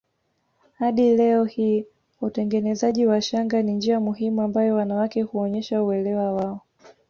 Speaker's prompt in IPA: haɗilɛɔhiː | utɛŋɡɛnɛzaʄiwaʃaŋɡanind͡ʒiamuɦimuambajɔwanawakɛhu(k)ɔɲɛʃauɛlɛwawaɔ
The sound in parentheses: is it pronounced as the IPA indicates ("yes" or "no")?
no